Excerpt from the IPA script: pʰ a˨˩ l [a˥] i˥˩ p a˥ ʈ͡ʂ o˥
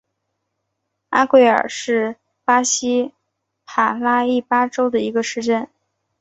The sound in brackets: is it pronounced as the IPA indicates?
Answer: yes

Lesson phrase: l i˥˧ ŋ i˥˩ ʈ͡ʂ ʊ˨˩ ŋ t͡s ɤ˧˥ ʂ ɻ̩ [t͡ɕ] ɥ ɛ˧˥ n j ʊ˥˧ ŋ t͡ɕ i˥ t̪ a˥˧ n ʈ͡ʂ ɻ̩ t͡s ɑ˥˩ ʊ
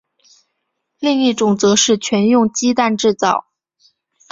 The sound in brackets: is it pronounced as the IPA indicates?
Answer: no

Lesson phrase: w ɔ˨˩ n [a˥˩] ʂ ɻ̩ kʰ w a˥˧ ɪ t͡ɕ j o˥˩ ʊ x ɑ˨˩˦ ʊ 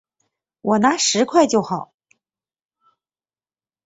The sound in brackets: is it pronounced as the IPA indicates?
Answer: no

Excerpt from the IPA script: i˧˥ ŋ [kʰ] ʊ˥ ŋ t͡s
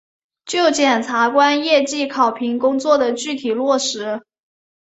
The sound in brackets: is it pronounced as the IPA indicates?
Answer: no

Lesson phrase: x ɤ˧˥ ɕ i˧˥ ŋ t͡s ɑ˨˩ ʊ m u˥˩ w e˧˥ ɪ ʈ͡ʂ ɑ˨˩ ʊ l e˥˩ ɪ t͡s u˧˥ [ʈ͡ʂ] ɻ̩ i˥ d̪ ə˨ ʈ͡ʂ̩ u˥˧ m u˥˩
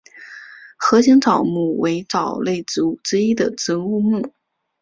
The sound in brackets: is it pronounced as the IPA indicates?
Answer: yes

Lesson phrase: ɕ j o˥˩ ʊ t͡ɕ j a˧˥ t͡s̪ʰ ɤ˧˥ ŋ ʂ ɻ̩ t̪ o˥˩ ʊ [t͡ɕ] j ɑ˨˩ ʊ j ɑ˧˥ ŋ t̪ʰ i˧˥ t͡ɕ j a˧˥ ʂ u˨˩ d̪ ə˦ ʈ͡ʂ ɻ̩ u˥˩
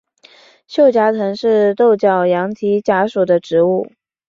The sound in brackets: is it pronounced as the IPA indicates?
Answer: yes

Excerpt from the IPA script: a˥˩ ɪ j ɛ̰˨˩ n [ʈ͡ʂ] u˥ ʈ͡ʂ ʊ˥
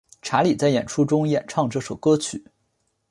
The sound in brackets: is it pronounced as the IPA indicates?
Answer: no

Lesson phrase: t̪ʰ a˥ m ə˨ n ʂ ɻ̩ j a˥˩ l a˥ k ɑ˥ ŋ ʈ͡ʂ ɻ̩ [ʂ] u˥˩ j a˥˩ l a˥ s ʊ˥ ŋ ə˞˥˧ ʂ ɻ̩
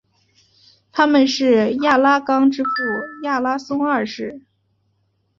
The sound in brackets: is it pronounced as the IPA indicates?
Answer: no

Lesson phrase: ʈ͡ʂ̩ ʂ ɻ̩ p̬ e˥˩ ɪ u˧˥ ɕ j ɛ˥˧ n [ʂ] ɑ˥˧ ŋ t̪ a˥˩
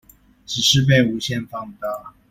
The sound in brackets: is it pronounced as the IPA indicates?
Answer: no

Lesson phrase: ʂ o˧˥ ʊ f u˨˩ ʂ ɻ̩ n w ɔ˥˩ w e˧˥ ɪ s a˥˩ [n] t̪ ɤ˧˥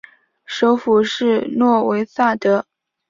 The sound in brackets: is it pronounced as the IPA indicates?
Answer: no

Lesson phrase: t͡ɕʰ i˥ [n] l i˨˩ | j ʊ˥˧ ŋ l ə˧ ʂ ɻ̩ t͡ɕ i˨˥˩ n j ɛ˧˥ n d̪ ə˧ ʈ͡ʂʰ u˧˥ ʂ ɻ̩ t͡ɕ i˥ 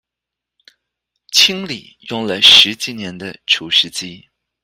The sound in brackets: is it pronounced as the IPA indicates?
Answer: no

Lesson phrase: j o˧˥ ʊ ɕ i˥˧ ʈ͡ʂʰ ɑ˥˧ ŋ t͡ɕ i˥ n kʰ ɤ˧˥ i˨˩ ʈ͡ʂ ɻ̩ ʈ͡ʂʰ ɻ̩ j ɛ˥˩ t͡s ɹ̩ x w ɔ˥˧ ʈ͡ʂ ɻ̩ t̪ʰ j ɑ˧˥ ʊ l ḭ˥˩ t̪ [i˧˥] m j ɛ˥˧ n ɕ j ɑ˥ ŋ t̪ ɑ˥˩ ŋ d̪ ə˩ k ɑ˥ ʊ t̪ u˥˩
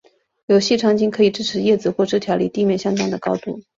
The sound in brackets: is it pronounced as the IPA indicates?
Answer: no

